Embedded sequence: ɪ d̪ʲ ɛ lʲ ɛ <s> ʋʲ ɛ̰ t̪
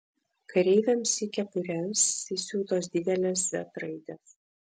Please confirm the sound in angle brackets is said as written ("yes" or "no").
yes